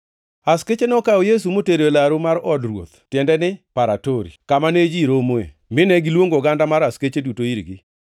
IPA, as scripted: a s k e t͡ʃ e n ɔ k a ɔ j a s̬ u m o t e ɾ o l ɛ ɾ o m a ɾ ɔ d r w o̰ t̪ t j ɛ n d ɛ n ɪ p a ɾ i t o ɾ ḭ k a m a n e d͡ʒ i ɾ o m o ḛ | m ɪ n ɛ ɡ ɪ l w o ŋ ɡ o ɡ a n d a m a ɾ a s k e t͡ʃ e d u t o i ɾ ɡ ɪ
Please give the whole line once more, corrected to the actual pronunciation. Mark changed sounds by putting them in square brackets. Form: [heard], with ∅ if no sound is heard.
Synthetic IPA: a s k e t͡ʃ e n ɔ k a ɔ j [e] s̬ u m o t e ɾ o l [a] ɾ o m a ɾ ɔ d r w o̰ t̪ t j ɛ n d ɛ n ɪ p a ɾ [a] t o ɾ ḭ k a m a n e d͡ʒ i ɾ o m o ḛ | m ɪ n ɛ ɡ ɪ l w o ŋ ɡ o ɡ a n d a m a ɾ a s k e t͡ʃ e d u t o i ɾ ɡ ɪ